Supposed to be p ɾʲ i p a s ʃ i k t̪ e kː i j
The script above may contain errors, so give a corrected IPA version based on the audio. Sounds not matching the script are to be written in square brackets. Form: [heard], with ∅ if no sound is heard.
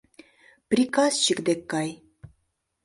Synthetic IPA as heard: p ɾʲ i [k] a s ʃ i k [d̪] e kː [a] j